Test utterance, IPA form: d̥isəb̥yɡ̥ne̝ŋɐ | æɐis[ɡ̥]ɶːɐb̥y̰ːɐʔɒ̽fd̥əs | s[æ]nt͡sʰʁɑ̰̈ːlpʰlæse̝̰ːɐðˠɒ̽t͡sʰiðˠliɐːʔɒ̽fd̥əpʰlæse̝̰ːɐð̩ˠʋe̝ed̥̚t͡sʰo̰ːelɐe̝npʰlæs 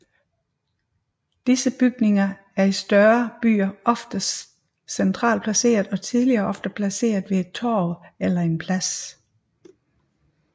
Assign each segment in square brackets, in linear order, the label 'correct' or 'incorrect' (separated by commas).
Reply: incorrect, incorrect